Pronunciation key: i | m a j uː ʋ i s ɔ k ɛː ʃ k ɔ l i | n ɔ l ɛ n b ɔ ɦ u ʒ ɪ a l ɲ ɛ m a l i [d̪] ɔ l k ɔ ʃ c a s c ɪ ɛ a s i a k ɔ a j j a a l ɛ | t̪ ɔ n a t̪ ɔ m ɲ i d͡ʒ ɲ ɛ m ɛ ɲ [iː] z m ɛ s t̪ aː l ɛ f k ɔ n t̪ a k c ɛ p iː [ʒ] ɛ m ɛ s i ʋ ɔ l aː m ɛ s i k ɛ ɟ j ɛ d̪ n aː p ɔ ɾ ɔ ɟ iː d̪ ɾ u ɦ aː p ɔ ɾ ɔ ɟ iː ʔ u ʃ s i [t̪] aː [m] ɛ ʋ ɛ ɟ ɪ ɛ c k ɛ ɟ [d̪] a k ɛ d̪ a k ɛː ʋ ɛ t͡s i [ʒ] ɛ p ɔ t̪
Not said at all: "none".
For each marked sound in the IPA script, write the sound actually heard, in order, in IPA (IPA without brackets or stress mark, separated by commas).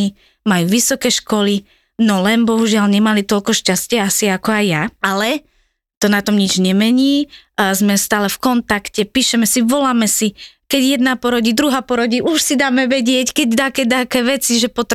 t̪, iː, ʃ, d̪, m, d̪, ʒ